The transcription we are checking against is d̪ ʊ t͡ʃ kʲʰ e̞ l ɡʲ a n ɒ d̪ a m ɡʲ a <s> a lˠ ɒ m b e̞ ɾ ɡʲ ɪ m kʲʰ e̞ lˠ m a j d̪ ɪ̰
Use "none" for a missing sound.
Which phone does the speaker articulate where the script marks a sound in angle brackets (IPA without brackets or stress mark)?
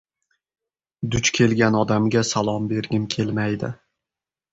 s